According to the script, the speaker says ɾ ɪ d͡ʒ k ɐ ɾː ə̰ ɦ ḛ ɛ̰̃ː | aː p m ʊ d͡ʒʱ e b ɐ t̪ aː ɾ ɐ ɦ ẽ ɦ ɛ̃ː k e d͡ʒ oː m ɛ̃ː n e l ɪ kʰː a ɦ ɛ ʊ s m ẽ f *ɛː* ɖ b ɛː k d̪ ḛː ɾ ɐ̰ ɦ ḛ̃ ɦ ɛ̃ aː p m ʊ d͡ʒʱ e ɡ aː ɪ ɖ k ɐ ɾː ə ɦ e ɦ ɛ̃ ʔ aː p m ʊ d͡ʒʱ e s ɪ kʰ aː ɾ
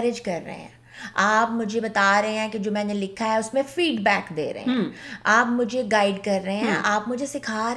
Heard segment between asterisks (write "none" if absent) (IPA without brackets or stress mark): iː